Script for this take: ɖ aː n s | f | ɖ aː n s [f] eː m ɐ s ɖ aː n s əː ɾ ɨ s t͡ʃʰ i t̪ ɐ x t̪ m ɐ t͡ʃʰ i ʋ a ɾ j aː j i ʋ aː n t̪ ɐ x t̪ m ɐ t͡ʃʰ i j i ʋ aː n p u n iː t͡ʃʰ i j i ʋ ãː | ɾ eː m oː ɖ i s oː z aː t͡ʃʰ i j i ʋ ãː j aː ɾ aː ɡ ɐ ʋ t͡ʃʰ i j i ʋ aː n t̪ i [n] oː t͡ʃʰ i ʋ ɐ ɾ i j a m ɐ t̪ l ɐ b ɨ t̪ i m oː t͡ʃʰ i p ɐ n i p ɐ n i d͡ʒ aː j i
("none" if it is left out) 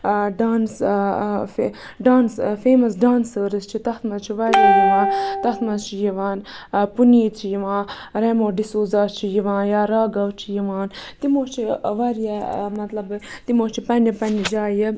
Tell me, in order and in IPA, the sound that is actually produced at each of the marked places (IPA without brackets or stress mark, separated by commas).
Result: f, m